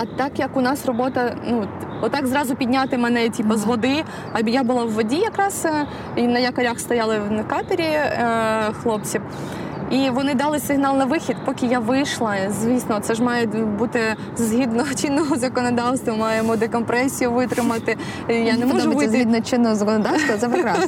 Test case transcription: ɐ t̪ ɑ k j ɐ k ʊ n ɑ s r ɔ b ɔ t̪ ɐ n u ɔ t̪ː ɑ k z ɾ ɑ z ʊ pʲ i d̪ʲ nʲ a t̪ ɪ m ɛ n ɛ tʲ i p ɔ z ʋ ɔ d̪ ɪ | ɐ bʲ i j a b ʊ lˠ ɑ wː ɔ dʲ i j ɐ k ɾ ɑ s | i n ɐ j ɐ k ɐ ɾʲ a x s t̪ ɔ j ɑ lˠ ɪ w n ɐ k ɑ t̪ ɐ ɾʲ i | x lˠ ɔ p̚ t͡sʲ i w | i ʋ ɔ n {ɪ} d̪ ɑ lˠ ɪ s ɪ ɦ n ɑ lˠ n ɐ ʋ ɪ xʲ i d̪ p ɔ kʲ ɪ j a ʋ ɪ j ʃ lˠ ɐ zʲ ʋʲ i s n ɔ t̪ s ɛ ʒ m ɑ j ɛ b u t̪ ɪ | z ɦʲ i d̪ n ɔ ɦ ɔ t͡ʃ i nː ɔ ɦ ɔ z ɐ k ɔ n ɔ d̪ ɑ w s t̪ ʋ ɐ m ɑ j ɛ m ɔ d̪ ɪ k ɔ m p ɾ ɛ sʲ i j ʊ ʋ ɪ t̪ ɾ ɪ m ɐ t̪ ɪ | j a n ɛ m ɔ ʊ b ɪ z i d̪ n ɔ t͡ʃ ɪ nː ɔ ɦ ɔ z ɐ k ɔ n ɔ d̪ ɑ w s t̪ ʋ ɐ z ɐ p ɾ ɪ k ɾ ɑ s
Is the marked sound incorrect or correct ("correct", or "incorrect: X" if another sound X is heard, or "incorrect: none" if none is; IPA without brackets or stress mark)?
correct